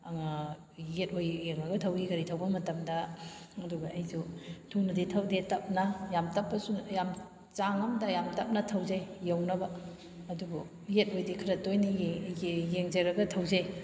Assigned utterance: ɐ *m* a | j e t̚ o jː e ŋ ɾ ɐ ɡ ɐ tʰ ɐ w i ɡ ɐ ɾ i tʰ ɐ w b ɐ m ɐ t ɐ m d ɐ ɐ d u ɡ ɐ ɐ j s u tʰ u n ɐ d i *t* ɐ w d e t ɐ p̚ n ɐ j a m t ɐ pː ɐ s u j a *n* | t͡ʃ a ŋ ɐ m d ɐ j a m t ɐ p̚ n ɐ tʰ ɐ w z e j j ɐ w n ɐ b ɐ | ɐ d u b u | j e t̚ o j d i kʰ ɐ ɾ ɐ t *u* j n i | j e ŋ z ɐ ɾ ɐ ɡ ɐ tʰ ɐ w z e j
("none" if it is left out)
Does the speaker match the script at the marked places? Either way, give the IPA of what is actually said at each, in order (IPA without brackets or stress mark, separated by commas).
ŋ, tʰ, m, o